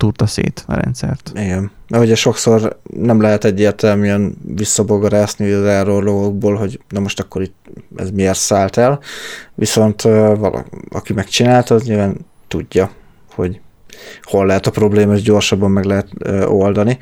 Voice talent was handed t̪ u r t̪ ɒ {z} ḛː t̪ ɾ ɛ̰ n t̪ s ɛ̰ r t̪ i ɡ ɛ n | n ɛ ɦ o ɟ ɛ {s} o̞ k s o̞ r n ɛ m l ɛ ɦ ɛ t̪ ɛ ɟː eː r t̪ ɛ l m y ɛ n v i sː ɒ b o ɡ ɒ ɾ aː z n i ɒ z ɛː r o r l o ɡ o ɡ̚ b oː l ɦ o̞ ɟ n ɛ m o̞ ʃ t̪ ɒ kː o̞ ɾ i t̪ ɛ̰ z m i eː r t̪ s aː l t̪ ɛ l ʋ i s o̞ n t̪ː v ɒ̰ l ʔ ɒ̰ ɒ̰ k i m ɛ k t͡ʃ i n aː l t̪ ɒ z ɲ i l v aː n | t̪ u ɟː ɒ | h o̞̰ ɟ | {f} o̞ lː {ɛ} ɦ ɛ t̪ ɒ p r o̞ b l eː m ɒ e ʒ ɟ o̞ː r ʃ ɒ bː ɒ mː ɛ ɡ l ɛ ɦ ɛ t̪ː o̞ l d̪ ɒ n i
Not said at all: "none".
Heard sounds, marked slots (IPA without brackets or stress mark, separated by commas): s, ʃ, h, ɛ